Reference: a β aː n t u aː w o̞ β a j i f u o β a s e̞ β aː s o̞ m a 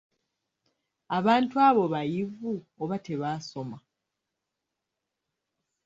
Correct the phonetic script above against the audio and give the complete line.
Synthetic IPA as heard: a β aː n t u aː β o̞ β a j i v u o β a t e̞ β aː s o̞ m a

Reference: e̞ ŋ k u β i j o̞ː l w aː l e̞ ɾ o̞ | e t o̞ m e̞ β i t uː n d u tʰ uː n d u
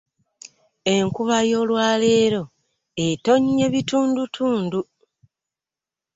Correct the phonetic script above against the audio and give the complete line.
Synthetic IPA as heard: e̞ ŋ k u β a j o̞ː l w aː l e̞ ɾ o̞ | e t o̞ ɲ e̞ β i t uː n d u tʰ uː n d u

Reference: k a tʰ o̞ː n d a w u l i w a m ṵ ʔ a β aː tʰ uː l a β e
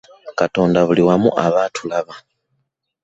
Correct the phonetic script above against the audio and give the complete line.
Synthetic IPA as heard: k a t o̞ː n d a β u l i w a m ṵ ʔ a β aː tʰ u l a β a

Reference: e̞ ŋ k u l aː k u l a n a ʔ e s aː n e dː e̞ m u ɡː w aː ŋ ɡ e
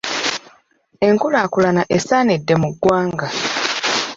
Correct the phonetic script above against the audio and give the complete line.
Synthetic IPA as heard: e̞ ŋ k u l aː k u l a n a ʔ e s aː n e dː e̞ m u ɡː w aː ŋ ɡ a

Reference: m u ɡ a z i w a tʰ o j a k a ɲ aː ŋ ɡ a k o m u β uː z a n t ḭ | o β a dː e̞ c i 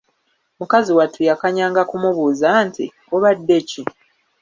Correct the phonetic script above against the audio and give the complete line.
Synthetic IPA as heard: m u k a z i w a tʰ u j a k a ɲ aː ŋ ɡ a k u m u β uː z a n t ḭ | o β a dː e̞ c i

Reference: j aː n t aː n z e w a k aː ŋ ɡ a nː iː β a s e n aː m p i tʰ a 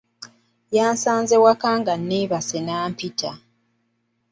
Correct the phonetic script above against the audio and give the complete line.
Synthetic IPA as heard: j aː n s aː n z e w a k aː ŋ ɡ a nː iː β a s e n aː m p i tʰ a

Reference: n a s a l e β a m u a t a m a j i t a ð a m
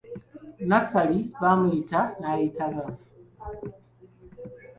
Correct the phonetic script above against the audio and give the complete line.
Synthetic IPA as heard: n a s a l i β a m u i t a n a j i t a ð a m

